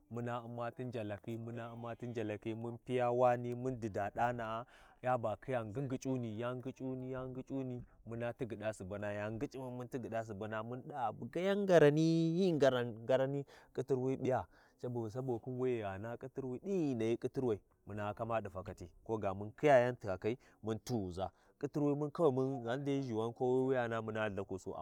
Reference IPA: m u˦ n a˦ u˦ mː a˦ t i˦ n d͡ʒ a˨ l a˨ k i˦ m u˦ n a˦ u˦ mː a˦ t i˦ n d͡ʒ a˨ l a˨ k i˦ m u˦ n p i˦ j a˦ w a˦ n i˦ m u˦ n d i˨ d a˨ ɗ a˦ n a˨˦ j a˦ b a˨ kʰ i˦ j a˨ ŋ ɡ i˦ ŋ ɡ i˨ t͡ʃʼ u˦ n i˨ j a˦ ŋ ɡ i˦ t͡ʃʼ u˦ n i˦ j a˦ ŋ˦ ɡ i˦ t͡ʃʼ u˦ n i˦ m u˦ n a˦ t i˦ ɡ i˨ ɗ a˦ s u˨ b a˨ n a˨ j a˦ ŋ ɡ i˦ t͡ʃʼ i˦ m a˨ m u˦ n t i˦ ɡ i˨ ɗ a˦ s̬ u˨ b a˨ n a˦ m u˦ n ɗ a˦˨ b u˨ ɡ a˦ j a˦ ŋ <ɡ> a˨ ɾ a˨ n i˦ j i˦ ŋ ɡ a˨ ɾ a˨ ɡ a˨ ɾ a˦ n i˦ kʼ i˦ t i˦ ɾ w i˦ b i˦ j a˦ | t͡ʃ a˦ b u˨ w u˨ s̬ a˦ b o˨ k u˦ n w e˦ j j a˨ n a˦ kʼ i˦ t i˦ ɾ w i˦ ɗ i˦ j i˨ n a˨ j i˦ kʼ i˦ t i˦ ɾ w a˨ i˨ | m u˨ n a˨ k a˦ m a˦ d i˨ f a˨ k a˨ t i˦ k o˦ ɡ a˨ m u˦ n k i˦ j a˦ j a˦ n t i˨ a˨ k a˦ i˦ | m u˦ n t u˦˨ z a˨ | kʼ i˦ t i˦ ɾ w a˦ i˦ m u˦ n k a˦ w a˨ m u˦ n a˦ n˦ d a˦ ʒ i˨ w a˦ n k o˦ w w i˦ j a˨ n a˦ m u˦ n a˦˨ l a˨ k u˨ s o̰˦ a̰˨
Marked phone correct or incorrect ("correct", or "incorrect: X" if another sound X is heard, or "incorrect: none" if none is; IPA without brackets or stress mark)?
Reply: correct